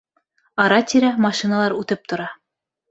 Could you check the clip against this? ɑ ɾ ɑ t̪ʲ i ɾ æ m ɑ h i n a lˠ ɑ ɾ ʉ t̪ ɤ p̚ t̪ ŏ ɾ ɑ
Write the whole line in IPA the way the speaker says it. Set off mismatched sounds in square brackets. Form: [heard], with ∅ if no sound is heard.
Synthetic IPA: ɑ ɾ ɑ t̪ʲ i ɾ æ m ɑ [ʃ] i n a lˠ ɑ ɾ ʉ t̪ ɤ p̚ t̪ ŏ ɾ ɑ